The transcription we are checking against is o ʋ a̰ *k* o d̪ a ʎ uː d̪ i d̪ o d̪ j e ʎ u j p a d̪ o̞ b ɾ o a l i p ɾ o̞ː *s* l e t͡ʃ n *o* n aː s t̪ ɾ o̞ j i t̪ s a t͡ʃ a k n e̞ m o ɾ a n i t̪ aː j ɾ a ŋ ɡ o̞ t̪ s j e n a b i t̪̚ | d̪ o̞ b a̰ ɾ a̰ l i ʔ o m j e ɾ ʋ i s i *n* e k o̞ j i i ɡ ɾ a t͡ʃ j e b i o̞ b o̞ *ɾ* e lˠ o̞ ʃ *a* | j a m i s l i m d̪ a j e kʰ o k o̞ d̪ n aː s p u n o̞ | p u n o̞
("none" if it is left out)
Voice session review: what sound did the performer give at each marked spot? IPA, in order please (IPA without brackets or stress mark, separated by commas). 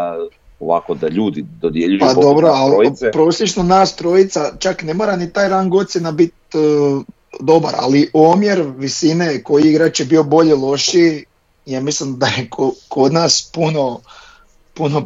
k, s, o, n, ʎ, i